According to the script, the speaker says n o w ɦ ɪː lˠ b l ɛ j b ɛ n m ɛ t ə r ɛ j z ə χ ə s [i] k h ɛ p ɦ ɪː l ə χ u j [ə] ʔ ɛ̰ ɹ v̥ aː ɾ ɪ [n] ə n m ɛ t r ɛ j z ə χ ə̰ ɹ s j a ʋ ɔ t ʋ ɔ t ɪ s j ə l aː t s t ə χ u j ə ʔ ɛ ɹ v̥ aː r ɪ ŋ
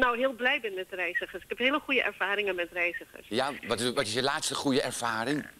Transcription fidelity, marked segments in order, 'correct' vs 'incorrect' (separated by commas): incorrect, correct, incorrect